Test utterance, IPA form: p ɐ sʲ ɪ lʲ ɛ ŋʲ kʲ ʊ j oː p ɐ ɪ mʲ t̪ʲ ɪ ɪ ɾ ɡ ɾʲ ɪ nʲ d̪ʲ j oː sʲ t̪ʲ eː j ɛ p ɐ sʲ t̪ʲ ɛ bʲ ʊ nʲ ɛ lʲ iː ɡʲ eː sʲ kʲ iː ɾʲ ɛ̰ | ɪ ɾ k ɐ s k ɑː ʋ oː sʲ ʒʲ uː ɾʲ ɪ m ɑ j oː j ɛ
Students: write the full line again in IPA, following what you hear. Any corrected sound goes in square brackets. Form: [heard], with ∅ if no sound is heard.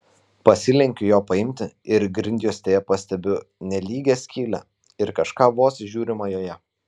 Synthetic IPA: p ɐ sʲ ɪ lʲ ɛ ŋʲ kʲ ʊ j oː p ɐ ɪ mʲ t̪ʲ ɪ ɪ ɾ ɡ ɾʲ ɪ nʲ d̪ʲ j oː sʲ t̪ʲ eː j ɛ p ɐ sʲ t̪ʲ ɛ bʲ ʊ nʲ ɛ lʲ iː ɡʲ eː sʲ kʲ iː [lʲ] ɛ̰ | ɪ ɾ k ɐ [ʃ] k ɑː ʋ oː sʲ ʒʲ uː ɾʲ ɪ m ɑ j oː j ɛ

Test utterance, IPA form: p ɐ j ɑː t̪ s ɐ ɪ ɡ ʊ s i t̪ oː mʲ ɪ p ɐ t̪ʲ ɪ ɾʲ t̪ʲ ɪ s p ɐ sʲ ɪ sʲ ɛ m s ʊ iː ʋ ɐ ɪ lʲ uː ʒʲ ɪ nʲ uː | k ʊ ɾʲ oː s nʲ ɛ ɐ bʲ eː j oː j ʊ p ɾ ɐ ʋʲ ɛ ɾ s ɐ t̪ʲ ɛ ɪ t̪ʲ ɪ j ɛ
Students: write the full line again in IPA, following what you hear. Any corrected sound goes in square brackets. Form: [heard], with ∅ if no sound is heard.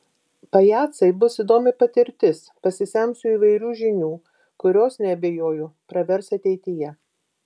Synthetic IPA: p ɐ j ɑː t̪ s ɐ ɪ [b] ʊ s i [d̪] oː mʲ ɪ p ɐ t̪ʲ ɪ ɾʲ t̪ʲ ɪ s p ɐ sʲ ɪ sʲ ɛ m s ʊ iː ʋ ɐ ɪ [ɾʲ] uː ʒʲ ɪ nʲ uː | k ʊ ɾʲ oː s nʲ ɛ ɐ bʲ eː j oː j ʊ p ɾ ɐ ʋʲ ɛ ɾ s ɐ t̪ʲ ɛ ɪ t̪ʲ ɪ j ɛ

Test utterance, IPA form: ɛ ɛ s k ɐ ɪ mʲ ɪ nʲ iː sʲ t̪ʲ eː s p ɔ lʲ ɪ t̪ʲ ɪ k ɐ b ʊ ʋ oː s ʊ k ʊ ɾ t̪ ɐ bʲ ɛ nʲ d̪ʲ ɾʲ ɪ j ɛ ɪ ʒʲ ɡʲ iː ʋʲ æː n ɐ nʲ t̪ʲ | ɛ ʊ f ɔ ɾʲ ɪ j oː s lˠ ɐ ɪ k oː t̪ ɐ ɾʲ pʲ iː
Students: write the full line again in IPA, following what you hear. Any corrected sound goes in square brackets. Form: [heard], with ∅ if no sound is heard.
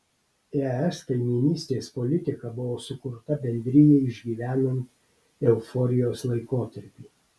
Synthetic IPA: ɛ ɛ s k ɐ ɪ mʲ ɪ nʲ iː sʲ t̪ʲ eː s p ɔ lʲ ɪ t̪ʲ ɪ k ɐ b ʊ ʋ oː s ʊ k ʊ ɾ t̪ ɐ bʲ ɛ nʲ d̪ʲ ɾʲ ɪ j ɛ ɪ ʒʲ ɡʲ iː ʋʲ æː n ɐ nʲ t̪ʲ | ɛ ʊ f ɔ ɾʲ ɪ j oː s lˠ ɐ ɪ k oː t̪ ɐ ɾʲ pʲ iː

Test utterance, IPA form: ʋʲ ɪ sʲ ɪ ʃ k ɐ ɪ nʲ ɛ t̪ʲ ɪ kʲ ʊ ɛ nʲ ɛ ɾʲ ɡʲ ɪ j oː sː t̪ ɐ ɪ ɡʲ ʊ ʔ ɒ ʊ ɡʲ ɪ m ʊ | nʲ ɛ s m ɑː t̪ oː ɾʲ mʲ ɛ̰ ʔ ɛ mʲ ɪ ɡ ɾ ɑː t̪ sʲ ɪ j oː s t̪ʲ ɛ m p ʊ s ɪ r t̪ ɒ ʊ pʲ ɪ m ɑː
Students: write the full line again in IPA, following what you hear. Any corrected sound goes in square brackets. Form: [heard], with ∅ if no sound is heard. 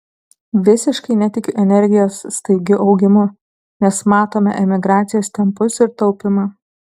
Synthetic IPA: ʋʲ ɪ sʲ ɪ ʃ k ɐ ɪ nʲ ɛ t̪ʲ ɪ kʲ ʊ ɛ nʲ ɛ ɾʲ ɡʲ ɪ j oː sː t̪ ɐ ɪ ɡʲ ʊ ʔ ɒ ʊ ɡʲ ɪ m ʊ | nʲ ɛ s m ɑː t̪ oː [∅] mʲ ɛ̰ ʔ ɛ mʲ ɪ ɡ ɾ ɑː t̪ sʲ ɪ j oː s t̪ʲ ɛ m p ʊ s ɪ [ɾ] t̪ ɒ ʊ pʲ ɪ m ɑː

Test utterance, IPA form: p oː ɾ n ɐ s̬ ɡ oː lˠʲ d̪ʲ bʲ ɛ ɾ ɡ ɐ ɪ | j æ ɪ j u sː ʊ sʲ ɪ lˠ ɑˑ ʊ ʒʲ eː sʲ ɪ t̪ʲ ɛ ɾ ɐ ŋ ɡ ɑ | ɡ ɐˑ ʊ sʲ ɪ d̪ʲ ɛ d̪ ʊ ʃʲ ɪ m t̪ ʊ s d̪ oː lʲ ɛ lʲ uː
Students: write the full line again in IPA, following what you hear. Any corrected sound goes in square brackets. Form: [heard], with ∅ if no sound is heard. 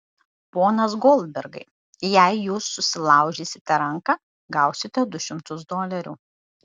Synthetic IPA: p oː [∅] n ɐ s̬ ɡ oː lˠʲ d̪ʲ bʲ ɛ ɾ ɡ ɐ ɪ | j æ ɪ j [uː] sː ʊ sʲ ɪ lˠ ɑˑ ʊ ʒʲ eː sʲ ɪ t̪ʲ ɛ ɾ ɐ ŋ [k] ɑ | ɡ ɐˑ ʊ sʲ ɪ [t̪ʲ] ɛ d̪ ʊ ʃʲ ɪ m t̪ ʊ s d̪ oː lʲ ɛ [ɾʲ] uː

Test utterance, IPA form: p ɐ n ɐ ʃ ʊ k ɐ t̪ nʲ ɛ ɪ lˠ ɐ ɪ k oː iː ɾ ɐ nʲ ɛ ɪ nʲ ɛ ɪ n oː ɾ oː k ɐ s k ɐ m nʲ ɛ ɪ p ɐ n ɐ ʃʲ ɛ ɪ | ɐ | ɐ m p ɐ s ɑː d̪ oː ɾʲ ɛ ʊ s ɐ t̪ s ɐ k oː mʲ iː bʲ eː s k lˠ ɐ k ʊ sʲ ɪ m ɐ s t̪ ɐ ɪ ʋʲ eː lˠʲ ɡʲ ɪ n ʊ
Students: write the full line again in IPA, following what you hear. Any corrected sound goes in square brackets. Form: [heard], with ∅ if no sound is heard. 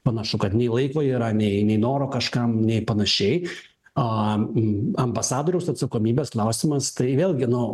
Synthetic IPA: p ɐ n ɐ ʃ ʊ k ɐ t̪ nʲ ɛ ɪ lˠ ɐ ɪ k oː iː ɾ ɐ nʲ ɛ ɪ nʲ ɛ ɪ n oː ɾ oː k ɐ [ʃ] k ɐ m nʲ ɛ ɪ p ɐ n ɐ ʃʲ ɛ ɪ | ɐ | ɐ m [b] ɐ s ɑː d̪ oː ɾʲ ɛ ʊ s ɐ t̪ s ɐ k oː mʲ iː bʲ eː s k lˠ ɐ [∅] ʊ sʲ ɪ m ɐ s t̪ ɐ ɪ ʋʲ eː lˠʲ ɡʲ ɪ n ʊ

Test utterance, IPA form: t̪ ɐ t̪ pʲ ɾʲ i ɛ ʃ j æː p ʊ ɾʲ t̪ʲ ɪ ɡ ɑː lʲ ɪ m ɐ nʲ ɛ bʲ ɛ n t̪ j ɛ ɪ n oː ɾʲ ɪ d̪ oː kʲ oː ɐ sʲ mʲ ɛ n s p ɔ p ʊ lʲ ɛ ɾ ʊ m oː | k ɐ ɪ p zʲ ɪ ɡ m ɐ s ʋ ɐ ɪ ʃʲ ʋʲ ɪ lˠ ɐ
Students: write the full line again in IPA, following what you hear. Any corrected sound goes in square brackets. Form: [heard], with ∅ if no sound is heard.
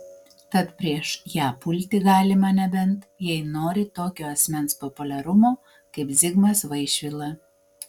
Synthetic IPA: t̪ ɐ t̪ pʲ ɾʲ i ɛ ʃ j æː p ʊ [lʲ] t̪ʲ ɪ ɡ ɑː lʲ ɪ m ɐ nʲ ɛ bʲ ɛ n t̪ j ɛ ɪ n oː ɾʲ ɪ [t̪] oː kʲ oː ɐ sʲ mʲ ɛ n s p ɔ p ʊ lʲ ɛ ɾ ʊ m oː | k ɐ ɪ p zʲ ɪ ɡ m ɐ s ʋ ɐ ɪ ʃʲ ʋʲ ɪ lˠ ɐ

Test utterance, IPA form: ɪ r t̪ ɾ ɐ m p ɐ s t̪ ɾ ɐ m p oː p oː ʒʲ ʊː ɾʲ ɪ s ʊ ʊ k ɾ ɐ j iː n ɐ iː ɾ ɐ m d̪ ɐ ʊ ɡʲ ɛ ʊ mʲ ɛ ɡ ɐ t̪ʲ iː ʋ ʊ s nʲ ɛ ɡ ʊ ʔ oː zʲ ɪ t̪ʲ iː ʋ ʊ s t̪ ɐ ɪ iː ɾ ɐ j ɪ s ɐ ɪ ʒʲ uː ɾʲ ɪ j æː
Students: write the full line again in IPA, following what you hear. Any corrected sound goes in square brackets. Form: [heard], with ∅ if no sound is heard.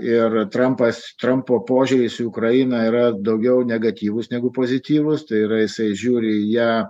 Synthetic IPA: ɪ r t̪ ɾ ɐ m p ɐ s t̪ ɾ ɐ m p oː p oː ʒʲ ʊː ɾʲ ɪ s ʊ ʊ k ɾ ɐ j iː n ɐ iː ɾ ɐ [∅] d̪ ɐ ʊ ɡʲ ɛ ʊ [nʲ] ɛ ɡ ɐ t̪ʲ iː ʋ ʊ s nʲ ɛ ɡ ʊ [p] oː zʲ ɪ t̪ʲ iː ʋ ʊ s t̪ ɐ ɪ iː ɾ ɐ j ɪ s ɐ ɪ ʒʲ uː ɾʲ ɪ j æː

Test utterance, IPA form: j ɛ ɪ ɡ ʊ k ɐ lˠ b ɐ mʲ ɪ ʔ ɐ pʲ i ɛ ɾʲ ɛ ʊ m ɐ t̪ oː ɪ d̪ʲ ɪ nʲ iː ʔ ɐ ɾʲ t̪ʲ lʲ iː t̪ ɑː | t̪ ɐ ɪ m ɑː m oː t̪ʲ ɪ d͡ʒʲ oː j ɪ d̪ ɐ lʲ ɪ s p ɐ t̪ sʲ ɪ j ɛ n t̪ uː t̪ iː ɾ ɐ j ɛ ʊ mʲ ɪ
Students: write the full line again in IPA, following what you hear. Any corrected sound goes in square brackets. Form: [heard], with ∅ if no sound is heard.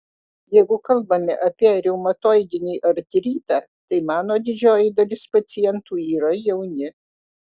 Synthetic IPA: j ɛ ɪ ɡ ʊ k ɐ lˠ b ɐ mʲ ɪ ʔ ɐ pʲ i ɛ ɾʲ ɛ ʊ m ɐ t̪ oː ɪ d̪ʲ ɪ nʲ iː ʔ ɐ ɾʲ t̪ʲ [ɾʲ] iː t̪ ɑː | t̪ ɐ ɪ m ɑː [n] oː [d̪ʲ] ɪ d͡ʒʲ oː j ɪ d̪ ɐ lʲ ɪ s p ɐ t̪ sʲ ɪ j ɛ n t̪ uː [∅] iː ɾ ɐ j ɛ ʊ [nʲ] ɪ

